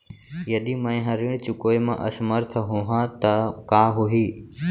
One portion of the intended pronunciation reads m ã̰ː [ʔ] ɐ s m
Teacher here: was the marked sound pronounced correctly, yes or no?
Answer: yes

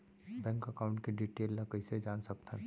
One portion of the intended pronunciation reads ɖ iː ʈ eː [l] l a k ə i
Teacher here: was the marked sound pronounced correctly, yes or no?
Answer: yes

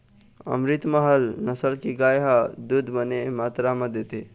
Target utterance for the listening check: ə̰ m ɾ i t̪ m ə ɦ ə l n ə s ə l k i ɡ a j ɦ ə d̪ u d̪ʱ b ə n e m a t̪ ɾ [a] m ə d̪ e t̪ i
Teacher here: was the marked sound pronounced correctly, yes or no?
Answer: yes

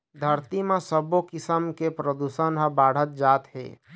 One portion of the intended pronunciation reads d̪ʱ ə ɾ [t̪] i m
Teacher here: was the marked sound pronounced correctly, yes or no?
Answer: yes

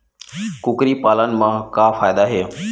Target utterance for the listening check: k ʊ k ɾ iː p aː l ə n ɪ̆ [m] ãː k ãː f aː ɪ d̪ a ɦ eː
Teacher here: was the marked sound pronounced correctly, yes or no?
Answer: yes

